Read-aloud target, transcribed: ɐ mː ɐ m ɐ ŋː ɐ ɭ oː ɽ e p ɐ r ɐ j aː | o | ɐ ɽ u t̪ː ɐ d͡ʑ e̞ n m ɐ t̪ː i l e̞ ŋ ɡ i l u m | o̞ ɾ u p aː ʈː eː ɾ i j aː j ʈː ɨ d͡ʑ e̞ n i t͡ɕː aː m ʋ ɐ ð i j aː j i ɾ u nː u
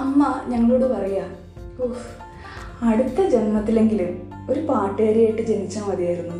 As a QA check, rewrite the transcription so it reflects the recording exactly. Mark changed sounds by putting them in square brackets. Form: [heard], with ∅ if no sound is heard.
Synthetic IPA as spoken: ɐ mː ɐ [ɲ] ɐ ŋː ɐ ɭ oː ɽ e p ɐ r ɐ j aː | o | ɐ ɽ u t̪ː ɐ d͡ʑ e̞ n m ɐ t̪ː i l e̞ ŋ ɡ i l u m | o̞ ɾ u p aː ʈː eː ɾ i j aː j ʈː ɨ d͡ʑ e̞ n i t͡ɕː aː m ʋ ɐ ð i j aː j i ɾ u nː u